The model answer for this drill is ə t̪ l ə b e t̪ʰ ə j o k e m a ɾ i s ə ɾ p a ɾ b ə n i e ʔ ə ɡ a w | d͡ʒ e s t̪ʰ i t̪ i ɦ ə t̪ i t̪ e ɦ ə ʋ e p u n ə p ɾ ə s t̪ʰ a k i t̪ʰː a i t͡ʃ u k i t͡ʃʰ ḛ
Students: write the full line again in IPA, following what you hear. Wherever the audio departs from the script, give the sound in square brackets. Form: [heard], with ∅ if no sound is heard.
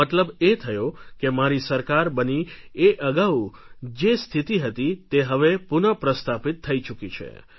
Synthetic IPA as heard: ə t̪ l ə b e t̪ʰ ə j o k e m a ɾ i s ə ɾ [k] a ɾ b ə n i e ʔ ə ɡ a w | d͡ʒ e s t̪ʰ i t̪ i ɦ ə t̪ i t̪ e ɦ ə ʋ e p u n ə p ɾ ə s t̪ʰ a [p] i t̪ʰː [ə] i t͡ʃ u k i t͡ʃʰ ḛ